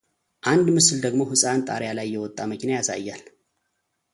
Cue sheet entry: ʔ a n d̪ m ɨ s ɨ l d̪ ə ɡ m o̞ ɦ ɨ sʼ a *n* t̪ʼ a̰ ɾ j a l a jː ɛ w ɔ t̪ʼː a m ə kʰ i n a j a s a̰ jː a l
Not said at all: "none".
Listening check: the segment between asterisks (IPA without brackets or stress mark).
n